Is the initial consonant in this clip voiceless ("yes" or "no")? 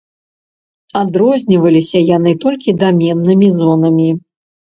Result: no